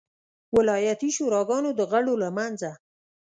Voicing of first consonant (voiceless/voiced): voiced